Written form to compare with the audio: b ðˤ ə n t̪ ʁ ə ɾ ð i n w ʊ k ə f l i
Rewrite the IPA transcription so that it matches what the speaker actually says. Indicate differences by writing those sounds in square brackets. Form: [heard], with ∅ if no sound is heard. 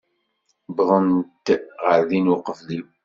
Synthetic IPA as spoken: b ðˤ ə n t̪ ʁ ə ɾ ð i n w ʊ [q] ə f l i